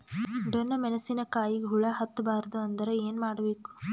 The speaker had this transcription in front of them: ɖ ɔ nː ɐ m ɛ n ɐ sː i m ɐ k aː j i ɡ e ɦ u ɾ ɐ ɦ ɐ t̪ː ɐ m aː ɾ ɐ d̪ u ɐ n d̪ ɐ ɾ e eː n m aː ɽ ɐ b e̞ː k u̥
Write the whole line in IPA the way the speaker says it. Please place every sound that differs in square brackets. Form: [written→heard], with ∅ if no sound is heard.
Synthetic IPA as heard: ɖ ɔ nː ɐ m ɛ n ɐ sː i [m→n] ɐ k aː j i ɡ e ɦ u [ɾ→ɭ] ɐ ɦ ɐ t̪ː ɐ [m→b] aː ɾ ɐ d̪ u ɐ n d̪ ɐ ɾ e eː n m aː ɽ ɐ b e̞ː k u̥